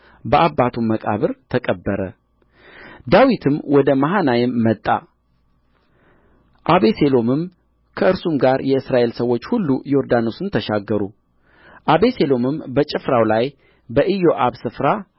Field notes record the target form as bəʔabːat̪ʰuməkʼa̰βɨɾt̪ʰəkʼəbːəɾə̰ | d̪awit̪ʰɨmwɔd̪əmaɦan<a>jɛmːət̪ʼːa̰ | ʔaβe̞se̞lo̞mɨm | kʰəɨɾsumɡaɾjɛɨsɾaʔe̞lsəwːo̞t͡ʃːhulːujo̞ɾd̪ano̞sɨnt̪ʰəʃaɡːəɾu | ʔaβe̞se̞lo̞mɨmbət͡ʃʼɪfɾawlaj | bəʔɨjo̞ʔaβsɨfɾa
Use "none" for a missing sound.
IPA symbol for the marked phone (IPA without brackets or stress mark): a